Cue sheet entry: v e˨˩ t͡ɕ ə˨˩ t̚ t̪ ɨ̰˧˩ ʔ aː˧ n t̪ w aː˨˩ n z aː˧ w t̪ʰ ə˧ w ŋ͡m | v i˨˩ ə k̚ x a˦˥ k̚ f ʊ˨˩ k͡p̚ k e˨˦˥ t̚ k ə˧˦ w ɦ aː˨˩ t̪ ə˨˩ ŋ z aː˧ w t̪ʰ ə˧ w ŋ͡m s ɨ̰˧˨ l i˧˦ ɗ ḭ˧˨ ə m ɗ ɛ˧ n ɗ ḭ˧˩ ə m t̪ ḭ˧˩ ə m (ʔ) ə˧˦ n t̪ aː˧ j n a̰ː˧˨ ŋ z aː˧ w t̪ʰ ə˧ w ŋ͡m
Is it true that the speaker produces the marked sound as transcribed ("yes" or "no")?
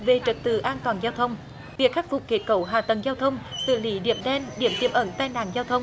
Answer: yes